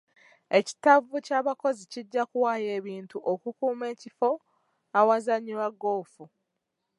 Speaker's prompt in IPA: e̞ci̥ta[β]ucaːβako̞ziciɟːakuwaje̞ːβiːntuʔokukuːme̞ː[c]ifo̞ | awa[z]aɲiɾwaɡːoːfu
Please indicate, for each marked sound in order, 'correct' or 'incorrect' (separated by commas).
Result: incorrect, correct, correct